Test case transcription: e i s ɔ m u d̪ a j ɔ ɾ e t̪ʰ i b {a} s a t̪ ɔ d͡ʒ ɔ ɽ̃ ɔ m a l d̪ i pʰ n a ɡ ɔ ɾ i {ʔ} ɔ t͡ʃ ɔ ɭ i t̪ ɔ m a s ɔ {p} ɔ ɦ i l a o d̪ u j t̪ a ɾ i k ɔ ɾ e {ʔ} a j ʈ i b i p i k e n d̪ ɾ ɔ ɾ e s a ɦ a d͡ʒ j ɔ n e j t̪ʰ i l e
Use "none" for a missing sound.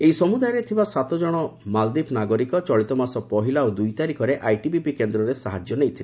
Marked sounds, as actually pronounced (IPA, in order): a, k, p, ʔ

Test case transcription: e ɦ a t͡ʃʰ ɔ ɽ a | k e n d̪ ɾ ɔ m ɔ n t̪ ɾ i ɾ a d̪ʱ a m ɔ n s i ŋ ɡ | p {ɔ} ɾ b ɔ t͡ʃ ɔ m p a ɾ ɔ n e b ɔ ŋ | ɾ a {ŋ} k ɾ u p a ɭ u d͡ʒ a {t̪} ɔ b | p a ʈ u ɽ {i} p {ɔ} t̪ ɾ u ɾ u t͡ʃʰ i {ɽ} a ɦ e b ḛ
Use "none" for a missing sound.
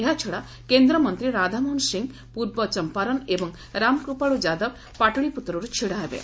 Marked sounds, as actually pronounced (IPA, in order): u, m, d̪, i, u, ɽ

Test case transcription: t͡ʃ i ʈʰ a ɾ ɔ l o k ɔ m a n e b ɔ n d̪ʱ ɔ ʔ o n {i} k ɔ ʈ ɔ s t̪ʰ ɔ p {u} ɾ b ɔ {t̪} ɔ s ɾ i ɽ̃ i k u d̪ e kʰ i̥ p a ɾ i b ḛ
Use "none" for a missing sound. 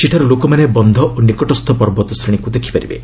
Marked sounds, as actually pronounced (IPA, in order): i, ɔ, t̪

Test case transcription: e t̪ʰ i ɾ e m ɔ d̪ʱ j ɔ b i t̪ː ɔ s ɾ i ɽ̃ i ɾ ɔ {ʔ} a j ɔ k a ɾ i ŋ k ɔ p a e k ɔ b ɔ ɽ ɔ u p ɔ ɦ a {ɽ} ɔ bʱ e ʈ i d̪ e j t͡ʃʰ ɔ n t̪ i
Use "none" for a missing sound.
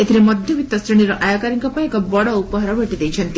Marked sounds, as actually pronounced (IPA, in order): ʔ, ɾ

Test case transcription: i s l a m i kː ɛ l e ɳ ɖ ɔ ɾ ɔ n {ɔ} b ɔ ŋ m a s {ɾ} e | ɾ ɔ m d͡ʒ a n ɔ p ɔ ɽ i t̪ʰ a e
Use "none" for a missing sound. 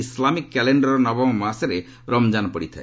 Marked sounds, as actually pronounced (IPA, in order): ɔ, ɾ

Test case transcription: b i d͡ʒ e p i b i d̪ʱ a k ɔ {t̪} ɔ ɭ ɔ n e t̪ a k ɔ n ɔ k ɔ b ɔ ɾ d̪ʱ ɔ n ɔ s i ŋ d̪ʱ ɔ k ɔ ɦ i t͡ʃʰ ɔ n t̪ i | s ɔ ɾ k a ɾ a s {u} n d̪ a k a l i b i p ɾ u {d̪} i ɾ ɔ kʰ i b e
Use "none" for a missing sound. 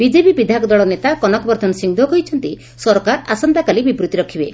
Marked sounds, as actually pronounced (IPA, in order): d̪, ɔ, t̪

